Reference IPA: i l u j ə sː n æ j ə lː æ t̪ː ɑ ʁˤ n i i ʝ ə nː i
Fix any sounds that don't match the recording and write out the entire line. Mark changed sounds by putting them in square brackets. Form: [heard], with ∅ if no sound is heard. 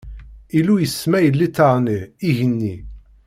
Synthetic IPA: i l u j ə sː [m] æ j ə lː [i] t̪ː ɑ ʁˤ n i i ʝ ə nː i